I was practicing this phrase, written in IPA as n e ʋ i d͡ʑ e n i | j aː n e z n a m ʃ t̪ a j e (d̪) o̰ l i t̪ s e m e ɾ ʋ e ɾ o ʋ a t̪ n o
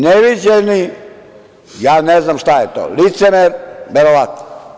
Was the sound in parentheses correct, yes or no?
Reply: no